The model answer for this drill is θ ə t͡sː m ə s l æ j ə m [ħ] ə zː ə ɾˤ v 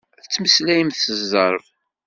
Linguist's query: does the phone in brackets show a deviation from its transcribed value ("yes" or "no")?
yes